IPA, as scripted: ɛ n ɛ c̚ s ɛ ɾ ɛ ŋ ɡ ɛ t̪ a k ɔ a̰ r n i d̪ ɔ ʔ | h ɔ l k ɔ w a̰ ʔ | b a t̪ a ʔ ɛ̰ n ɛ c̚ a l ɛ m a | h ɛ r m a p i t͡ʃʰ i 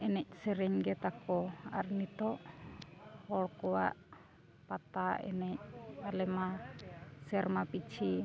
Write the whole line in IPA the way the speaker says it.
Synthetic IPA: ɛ n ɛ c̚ s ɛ ɾ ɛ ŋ ɡ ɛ t̪ a k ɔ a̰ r n i t̪ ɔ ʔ | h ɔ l k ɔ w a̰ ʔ | p a t̪ a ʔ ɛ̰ n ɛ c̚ a l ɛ m a | s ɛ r m a p i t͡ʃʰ i

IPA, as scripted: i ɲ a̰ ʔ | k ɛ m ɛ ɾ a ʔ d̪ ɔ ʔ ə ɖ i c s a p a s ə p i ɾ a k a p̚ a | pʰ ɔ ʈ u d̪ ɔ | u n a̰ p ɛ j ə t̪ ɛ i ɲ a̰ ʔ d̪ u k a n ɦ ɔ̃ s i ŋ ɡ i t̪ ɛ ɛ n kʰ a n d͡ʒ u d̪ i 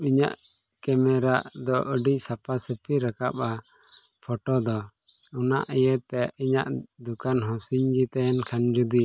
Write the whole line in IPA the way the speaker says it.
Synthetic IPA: i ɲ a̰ ʔ | k ɛ m ɛ ɾ a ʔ d̪ ɔ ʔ ə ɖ i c s a p a s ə p i ɾ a k a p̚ a | pʰ ɔ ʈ ɔ d̪ ɔ | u n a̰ ʔ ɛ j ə t̪ ɛ i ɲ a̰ ʔ d̪ u k a n ɦ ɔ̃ s i ɲ ɡ i t̪ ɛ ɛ n kʰ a n d͡ʒ u d̪ i

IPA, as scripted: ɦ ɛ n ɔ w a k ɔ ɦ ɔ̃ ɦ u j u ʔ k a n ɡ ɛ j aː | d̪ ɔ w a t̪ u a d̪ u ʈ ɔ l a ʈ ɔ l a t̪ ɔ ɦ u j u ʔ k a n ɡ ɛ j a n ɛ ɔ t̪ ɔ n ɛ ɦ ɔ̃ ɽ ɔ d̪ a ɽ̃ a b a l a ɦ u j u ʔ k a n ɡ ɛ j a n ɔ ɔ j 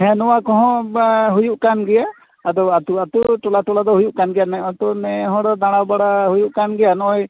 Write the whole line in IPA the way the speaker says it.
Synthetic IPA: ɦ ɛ n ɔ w a k ɔ ɦ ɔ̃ ɦ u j u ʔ k a n ɡ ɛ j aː | d̪ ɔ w a t̪ u a t̪ u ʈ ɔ l a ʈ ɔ l a d̪ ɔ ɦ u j u ʔ k a n ɡ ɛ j a n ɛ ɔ t̪ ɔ n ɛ ɦ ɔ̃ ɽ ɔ d̪ a ɽ̃ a b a ɽ a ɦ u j u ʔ k a n ɡ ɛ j a n ɔ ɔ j

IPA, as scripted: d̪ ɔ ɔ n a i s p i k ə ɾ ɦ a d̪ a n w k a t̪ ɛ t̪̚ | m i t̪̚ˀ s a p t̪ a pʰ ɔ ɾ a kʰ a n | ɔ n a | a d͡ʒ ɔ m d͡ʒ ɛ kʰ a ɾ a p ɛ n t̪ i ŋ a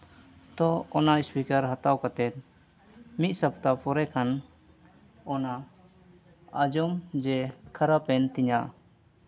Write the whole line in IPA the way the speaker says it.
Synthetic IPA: t̪ ɔ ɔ n a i s p i k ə ɾ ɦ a t̪ a w k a t̪ ɛ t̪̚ | m i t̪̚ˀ s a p t̪ a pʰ ɔ ɾ ɛ kʰ a n | ɔ n a | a d͡ʒ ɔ m d͡ʒ ɛ kʰ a ɾ a p ɛ n t̪ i ɲ a

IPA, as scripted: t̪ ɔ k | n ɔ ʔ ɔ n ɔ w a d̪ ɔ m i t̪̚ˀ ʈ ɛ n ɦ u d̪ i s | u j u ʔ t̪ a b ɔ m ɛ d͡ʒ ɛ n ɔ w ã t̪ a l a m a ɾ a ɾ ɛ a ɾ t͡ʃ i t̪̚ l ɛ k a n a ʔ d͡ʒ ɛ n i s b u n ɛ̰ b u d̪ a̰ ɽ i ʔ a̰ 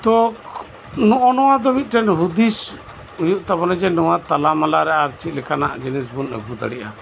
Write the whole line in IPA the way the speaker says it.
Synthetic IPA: t̪ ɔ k | n ɔ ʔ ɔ n ɔ w a d̪ ɔ m i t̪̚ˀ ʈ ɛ n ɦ u d̪ i s | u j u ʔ t̪ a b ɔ n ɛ d͡ʒ ɛ n ɔ w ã t̪ a l a m a l a ɾ ɛ a ɾ t͡ʃ i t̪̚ l ɛ k a n a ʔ d͡ʒ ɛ n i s b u n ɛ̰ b u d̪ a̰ ɽ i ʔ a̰

